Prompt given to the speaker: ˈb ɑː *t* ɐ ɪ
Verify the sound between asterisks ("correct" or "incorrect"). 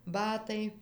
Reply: correct